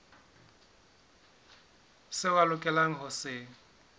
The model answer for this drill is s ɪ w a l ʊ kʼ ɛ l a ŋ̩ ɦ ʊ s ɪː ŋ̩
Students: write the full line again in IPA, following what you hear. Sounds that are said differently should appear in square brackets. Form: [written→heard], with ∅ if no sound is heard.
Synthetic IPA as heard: s ɪ w a l ʊ kʼ ɛ l a ŋ̩ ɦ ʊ s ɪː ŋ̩